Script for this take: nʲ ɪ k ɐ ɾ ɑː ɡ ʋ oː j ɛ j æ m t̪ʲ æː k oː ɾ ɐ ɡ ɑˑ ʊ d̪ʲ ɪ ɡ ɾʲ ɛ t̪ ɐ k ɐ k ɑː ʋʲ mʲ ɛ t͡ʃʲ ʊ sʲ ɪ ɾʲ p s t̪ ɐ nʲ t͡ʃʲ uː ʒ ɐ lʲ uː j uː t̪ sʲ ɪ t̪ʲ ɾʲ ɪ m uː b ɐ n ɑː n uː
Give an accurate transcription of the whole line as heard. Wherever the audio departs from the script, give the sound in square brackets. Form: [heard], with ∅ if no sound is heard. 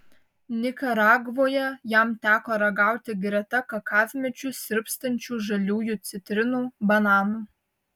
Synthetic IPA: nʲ ɪ k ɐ ɾ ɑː ɡ ʋ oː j ɛ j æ m t̪ʲ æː k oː ɾ ɐ ɡ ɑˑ ʊ [t̪ʲ] ɪ ɡ ɾʲ ɛ t̪ ɐ k ɐ k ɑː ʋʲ mʲ ɛ t͡ʃʲ ʊ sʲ ɪ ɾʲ p s t̪ ɐ nʲ t͡ʃʲ uː ʒ ɐ lʲ uː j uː t̪ sʲ ɪ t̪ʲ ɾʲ ɪ [n] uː b ɐ n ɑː n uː

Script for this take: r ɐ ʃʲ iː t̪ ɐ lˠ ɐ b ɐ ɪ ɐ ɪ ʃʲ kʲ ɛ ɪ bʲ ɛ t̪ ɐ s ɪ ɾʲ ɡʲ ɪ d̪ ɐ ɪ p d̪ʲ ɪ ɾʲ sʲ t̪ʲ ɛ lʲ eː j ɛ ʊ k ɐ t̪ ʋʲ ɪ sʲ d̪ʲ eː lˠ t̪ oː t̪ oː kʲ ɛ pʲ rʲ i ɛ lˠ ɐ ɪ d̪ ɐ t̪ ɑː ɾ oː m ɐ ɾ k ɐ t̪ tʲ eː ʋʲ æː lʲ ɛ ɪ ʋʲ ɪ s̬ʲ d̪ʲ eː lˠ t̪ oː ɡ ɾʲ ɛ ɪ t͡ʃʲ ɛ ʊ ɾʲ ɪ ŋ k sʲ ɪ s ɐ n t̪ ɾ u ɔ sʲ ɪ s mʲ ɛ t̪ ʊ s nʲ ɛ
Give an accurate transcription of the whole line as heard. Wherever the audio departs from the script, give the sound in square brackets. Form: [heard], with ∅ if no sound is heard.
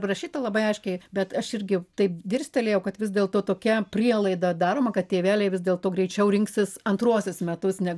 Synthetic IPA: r ɐ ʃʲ iː t̪ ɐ lˠ ɐ b ɐ ɪ ɐ ɪ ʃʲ kʲ ɛ ɪ bʲ ɛ t̪ ɐ [ʃ] ɪ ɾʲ ɡʲ ɪ [t̪] ɐ ɪ p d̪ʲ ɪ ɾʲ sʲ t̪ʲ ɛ lʲ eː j ɛ ʊ k ɐ t̪ ʋʲ ɪ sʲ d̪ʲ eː lˠ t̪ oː t̪ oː kʲ ɛ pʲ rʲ i ɛ lˠ ɐ ɪ d̪ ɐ [d̪] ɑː ɾ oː m ɐ [∅] k ɐ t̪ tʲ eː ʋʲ æː lʲ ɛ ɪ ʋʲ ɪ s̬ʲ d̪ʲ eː lˠ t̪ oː ɡ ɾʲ ɛ ɪ t͡ʃʲ ɛ ʊ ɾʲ ɪ ŋ k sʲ ɪ s ɐ n t̪ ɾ u ɔ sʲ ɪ s mʲ ɛ t̪ ʊ s nʲ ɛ

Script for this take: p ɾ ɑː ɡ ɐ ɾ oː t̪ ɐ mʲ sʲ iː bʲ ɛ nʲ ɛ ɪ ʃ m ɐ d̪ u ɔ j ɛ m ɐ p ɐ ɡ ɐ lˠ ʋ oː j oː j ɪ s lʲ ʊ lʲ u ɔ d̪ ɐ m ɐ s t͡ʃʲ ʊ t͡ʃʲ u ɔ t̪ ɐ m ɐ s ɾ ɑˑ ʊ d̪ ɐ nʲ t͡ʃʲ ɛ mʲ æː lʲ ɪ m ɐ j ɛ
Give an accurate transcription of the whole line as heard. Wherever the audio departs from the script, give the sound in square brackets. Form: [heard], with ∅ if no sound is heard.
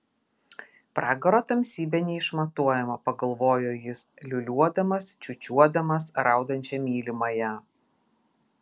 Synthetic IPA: p ɾ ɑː ɡ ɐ ɾ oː t̪ ɐ mʲ sʲ iː bʲ ɛ nʲ ɛ ɪ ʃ m ɐ [t̪] u ɔ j ɛ m ɐ p ɐ ɡ ɐ lˠ ʋ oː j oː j ɪ s lʲ ʊ lʲ u ɔ d̪ ɐ m ɐ s t͡ʃʲ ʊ t͡ʃʲ u ɔ [d̪] ɐ m ɐ s ɾ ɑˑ ʊ d̪ ɐ nʲ t͡ʃʲ ɛ mʲ [iː] lʲ ɪ m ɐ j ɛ

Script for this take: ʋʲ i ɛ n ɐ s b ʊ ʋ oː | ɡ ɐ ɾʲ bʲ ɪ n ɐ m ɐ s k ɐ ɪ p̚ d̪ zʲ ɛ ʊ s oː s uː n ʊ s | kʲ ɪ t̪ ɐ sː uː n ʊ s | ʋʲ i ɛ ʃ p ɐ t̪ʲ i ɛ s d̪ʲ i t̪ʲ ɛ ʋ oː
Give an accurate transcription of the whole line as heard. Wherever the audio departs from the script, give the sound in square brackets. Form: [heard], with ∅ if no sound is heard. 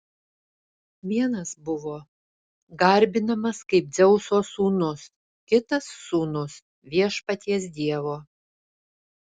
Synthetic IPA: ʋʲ i ɛ n ɐ s b ʊ ʋ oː | ɡ ɐ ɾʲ bʲ ɪ n ɐ m ɐ s k ɐ ɪ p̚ d̪ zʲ ɛ ʊ s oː s uː n ʊ s | kʲ ɪ t̪ ɐ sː uː n ʊ s | ʋʲ i ɛ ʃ p ɐ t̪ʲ i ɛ s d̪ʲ i [∅] ɛ ʋ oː

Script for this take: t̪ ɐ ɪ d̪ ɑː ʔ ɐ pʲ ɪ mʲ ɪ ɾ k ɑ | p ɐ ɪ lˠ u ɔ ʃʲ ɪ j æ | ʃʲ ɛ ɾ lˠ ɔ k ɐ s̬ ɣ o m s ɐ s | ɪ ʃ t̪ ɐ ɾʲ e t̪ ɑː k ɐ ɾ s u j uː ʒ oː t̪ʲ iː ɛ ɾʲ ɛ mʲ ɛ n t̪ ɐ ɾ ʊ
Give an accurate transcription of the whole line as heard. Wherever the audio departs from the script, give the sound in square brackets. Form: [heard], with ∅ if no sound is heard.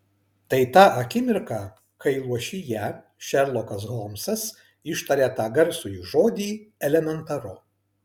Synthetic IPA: t̪ ɐ ɪ [t̪] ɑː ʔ ɐ [kʲ] ɪ mʲ ɪ ɾ k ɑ | [k] ɐ ɪ lˠ u ɔ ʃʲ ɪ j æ | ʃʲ ɛ ɾ lˠ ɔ k ɐ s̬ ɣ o m s ɐ s | ɪ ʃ t̪ ɐ ɾʲ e t̪ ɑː [ɡ] ɐ ɾ s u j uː ʒ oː [d̪ʲ] iː ɛ [lʲ] ɛ mʲ ɛ n t̪ ɐ ɾ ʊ

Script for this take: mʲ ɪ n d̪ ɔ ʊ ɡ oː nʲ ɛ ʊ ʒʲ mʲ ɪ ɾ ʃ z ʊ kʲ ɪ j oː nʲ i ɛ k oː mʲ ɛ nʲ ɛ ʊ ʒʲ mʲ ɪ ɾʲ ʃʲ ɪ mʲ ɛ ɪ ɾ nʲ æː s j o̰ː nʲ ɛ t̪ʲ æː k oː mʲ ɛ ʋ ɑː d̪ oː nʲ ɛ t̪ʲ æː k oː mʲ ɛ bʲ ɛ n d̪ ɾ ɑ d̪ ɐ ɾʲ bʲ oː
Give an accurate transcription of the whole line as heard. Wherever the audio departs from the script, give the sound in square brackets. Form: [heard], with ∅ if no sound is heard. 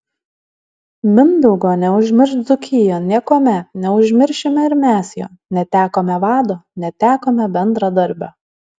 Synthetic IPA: mʲ ɪ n d̪ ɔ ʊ ɡ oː nʲ ɛ ʊ ʒʲ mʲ ɪ ɾ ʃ z ʊ kʲ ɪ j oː nʲ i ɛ k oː mʲ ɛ nʲ ɛ ʊ ʒʲ mʲ ɪ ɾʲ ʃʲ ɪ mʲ ɛ ɪ ɾ [mʲ] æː s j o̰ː nʲ ɛ t̪ʲ æː k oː mʲ ɛ ʋ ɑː d̪ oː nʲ ɛ t̪ʲ æː k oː mʲ ɛ bʲ ɛ n d̪ ɾ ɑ d̪ ɐ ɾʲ bʲ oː

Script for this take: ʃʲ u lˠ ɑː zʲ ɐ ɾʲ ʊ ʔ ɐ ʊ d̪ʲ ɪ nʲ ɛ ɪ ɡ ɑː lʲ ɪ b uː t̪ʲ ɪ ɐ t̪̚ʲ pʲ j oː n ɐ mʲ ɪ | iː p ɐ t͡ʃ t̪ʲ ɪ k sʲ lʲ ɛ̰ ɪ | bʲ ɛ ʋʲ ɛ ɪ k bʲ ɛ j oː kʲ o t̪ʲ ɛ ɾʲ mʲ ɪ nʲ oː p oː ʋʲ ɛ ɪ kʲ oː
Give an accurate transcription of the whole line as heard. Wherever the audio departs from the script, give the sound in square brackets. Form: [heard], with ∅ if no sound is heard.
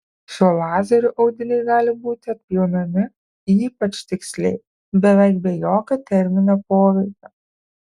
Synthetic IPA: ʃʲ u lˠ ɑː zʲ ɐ ɾʲ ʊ ʔ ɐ ʊ d̪ʲ ɪ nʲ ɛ ɪ ɡ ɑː lʲ ɪ b uː t̪ʲ ɪ ɐ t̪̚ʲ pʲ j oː n ɐ mʲ ɪ | iː p ɐ t͡ʃ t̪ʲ ɪ k sʲ lʲ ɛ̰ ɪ | bʲ ɛ ʋʲ ɛ ɪ k bʲ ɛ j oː kʲ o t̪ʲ ɛ ɾʲ mʲ ɪ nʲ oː p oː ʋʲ ɛ ɪ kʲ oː

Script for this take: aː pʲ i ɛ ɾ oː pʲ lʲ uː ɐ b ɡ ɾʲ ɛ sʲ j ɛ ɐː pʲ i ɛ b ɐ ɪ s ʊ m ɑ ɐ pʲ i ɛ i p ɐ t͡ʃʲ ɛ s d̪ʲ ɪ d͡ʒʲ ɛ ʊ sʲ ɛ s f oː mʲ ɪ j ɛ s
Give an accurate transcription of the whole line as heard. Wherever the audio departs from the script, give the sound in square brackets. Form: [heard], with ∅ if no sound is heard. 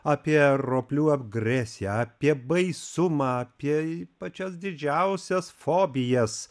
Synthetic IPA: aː pʲ i ɛ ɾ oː pʲ lʲ uː ɐ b ɡ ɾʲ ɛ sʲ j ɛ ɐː pʲ i ɛ b ɐ ɪ s ʊ m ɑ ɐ pʲ i ɛ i p ɐ t͡ʃʲ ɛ s d̪ʲ ɪ d͡ʒʲ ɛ ʊ sʲ ɛ s f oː [bʲ] ɪ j ɛ s

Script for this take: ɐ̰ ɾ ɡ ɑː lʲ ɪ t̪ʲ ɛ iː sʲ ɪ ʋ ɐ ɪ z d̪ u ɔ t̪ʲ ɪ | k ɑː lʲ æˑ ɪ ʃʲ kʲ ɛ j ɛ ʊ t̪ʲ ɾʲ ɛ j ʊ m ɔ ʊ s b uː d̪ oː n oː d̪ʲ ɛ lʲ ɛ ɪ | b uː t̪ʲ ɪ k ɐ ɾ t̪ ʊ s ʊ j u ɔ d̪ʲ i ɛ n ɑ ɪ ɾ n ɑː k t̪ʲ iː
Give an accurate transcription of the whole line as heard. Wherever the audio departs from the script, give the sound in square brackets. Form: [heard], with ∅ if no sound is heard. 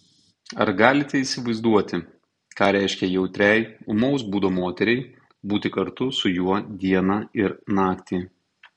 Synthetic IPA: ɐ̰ ɾ ɡ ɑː lʲ ɪ t̪ʲ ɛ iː sʲ ɪ ʋ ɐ ɪ z d̪ u ɔ t̪ʲ ɪ | k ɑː [ɾʲ] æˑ ɪ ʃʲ kʲ ɛ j ɛ ʊ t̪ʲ ɾʲ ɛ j ʊ m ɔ ʊ s b uː d̪ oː [m] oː [t̪ʲ] ɛ [ɾʲ] ɛ ɪ | b uː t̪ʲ ɪ k ɐ ɾ t̪ ʊ s ʊ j u ɔ d̪ʲ i ɛ n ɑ ɪ ɾ n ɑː k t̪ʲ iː

